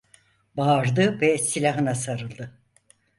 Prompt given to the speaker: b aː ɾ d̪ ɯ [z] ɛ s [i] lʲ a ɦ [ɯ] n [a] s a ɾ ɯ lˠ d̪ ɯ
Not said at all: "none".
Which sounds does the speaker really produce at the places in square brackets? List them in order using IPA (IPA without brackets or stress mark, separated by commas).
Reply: v, i, ɯ, a